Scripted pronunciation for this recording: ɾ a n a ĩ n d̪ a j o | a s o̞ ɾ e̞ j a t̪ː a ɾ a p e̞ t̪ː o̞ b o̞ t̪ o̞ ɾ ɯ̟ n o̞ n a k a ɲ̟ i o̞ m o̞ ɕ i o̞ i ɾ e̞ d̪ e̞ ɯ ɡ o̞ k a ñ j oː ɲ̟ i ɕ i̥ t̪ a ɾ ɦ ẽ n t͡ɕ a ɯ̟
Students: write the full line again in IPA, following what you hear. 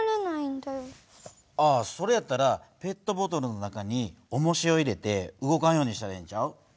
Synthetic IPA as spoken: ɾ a n a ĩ n d̪ a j o | a s o̞ ɾ e̞ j a t̪ː a ɾ a p e̞ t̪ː o̞ b o̞ t̪ o̞ ɾ ɯ̟ n o̞ n a k a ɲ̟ i o̞ m o̞ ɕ i o̞ i ɾ e̞ t̪ e̞ ɯ ɡ o̞ k a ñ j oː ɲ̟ i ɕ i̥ t̪ a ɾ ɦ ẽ ɲ t͡ɕ a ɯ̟